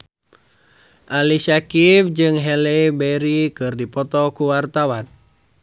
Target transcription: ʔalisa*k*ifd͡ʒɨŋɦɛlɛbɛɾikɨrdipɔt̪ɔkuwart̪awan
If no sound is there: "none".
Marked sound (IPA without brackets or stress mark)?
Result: k